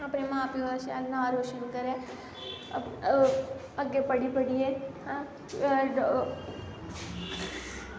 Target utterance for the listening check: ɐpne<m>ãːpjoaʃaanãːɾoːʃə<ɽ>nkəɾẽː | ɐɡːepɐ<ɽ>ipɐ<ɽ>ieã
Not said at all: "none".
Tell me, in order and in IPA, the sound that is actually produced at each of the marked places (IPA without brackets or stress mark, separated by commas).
m, none, ɽ, ɽ